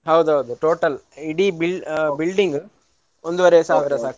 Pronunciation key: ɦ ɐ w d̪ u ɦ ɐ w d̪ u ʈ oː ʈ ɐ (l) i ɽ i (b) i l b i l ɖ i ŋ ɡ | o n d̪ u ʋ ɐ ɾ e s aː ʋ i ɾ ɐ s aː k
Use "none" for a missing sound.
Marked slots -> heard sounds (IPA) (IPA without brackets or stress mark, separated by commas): l, b